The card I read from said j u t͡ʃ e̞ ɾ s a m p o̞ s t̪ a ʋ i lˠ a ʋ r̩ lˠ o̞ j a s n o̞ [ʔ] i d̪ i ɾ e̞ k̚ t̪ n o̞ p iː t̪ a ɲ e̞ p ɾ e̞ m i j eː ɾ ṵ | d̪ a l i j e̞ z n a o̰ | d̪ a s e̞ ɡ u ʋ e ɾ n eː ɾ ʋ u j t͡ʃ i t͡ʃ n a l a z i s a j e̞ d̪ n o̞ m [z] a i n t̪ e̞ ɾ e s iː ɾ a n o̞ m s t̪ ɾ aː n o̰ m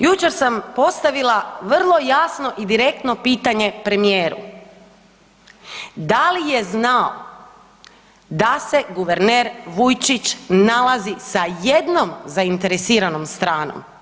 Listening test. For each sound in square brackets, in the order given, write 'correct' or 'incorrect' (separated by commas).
correct, correct